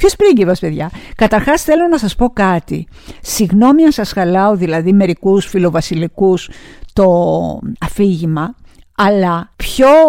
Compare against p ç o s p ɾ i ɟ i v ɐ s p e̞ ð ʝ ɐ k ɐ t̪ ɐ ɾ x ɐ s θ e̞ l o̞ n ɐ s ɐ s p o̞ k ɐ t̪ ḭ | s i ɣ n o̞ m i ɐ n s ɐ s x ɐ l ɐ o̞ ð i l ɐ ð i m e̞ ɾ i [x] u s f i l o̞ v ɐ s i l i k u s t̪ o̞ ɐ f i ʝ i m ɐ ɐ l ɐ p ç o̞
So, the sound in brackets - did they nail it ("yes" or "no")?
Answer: no